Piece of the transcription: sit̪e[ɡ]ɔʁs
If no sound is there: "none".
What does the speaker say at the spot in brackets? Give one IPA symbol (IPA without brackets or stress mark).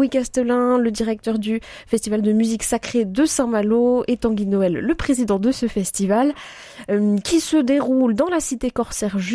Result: k